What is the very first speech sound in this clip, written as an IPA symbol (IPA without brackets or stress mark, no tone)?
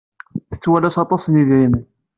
θ